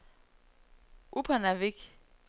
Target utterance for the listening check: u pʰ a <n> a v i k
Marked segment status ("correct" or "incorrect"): correct